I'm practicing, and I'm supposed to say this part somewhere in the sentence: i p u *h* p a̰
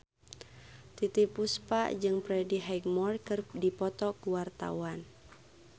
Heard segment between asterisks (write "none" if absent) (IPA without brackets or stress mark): s